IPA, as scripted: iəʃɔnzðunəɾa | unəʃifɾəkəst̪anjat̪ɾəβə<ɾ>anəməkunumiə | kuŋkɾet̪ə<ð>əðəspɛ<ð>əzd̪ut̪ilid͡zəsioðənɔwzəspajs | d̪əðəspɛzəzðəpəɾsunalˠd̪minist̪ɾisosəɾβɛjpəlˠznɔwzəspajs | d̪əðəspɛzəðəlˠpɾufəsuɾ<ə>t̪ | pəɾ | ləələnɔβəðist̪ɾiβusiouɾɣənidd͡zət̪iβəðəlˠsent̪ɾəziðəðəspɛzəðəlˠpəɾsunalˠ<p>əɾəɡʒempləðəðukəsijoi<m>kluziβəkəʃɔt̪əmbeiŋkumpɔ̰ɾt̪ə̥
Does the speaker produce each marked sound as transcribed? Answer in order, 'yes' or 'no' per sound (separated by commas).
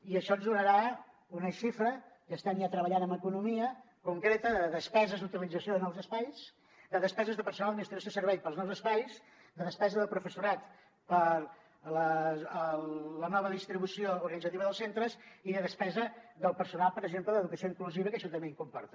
no, yes, no, no, yes, no